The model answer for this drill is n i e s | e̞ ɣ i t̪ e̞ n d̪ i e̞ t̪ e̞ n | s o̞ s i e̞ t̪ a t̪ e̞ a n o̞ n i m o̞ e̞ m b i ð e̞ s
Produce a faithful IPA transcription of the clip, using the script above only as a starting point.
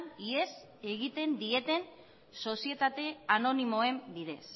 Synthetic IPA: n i e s | e̞ ɣ i t̪ e̞ n d̪ i e̞ t̪ e̞ n | s o̞ s i e̞ t̪ a t̪ e̞ a n o̞ n i m o̞ e̞ m b i ð e̞ s